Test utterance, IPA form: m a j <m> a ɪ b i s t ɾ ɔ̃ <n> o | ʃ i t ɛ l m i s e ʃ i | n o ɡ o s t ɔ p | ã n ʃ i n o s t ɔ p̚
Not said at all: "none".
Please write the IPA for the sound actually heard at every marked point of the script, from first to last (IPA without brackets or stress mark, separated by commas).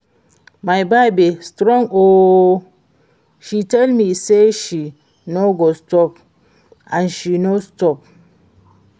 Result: b, ŋ